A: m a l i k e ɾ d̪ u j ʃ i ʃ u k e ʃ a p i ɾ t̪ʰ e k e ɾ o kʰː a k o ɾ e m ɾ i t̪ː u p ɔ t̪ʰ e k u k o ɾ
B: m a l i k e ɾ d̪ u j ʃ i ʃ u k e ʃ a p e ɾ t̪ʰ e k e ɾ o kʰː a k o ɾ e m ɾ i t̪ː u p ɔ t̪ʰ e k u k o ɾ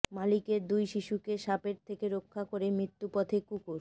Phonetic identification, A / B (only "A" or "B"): B